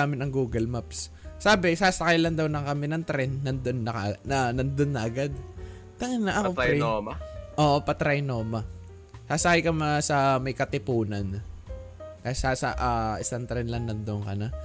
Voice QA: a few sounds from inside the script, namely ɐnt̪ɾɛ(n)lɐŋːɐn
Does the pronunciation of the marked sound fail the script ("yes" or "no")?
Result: no